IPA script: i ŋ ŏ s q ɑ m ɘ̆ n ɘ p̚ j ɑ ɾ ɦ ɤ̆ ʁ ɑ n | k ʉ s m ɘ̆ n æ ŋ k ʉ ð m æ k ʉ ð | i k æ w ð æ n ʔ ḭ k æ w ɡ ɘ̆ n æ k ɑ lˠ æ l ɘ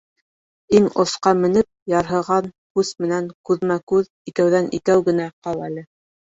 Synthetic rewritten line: i ŋ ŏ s q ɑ m ɘ̆ n ɘ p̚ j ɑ ɾ ɦ ɤ̆ ʁ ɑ n | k ʉ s m ɘ̆ n æ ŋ k ʉ ð m æ k ʉ ð | i k æ w ð æ n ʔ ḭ k æ w ɡ ɘ̆ n æ q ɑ lˠ æ l ɘ